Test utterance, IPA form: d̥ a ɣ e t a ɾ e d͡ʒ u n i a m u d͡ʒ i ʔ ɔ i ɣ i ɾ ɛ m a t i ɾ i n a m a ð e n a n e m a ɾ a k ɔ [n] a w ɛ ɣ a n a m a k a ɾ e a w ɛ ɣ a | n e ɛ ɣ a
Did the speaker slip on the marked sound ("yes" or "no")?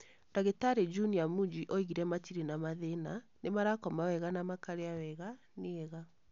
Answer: yes